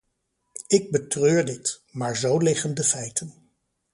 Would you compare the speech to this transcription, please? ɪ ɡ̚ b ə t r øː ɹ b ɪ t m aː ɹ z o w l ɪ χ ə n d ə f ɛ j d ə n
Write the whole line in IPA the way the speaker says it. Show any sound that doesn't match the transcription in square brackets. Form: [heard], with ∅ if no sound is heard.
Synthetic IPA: ɪ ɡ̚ b ə t r øː ɹ [d] ɪ t m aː ɹ z o w l ɪ χ ə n d ə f ɛ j [t] ə n